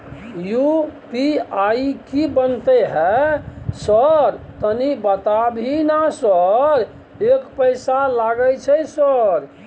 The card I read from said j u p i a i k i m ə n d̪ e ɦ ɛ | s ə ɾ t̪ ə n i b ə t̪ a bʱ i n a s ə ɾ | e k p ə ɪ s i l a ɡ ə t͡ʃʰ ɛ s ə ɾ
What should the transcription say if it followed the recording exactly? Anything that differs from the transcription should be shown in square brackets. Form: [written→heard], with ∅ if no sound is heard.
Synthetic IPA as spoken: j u p i a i k i [m→b] ə n [d̪→t̪] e ɦ ɛ | s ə ɾ t̪ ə n i b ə t̪ a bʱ i n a s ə ɾ | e k p ə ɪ s [i→a] l a ɡ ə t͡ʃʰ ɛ s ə ɾ